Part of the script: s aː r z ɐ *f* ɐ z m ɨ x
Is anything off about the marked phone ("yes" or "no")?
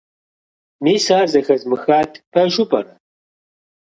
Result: yes